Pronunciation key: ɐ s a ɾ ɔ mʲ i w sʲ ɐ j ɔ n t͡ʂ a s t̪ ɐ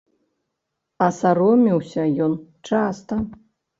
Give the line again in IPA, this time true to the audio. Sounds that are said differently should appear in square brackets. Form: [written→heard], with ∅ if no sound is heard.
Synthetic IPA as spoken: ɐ s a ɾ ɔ mʲ i w sʲ ɐ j ɔ n t͡ʂ a s t̪ ɐ